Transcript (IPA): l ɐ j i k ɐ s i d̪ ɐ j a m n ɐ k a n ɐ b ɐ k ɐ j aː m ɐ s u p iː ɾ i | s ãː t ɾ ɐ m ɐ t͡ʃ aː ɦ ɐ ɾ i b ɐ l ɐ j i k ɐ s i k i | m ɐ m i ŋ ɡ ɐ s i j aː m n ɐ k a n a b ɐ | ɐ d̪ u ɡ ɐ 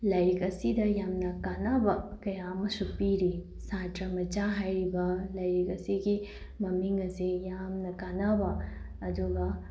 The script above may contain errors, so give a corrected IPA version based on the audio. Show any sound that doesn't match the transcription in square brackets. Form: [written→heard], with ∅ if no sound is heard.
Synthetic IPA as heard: l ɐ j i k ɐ s i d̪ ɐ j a m n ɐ k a n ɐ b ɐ k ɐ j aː m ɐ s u p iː ɾ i | s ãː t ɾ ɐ m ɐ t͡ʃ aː ɦ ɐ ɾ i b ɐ l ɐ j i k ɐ s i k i | m ɐ m i ŋ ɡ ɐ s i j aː m n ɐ k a n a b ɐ | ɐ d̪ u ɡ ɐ